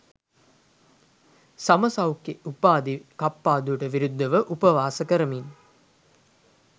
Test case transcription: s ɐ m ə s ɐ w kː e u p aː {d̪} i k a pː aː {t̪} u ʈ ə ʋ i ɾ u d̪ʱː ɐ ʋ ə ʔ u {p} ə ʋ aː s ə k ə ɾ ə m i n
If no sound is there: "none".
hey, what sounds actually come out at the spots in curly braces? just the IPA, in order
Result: d̪, d̪, p

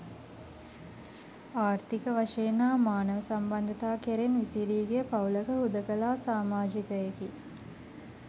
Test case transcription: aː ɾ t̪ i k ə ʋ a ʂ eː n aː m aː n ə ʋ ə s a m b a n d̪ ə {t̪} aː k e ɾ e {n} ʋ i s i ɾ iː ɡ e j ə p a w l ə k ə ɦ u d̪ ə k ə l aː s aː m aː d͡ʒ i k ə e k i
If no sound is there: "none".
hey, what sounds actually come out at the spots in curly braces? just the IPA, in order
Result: t̪, n

